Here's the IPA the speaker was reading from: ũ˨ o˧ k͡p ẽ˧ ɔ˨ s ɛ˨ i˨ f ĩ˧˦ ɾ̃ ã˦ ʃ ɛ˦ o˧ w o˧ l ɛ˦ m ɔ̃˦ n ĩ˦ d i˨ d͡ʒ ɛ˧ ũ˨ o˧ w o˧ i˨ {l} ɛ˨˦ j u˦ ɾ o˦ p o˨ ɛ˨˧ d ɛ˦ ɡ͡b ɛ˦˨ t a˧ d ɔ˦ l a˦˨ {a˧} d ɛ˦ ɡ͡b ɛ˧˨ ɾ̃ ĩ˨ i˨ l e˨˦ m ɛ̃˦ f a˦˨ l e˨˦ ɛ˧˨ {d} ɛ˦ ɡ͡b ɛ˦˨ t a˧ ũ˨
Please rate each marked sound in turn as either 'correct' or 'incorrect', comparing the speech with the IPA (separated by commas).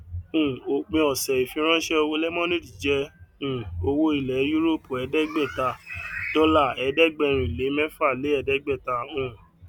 correct, incorrect, correct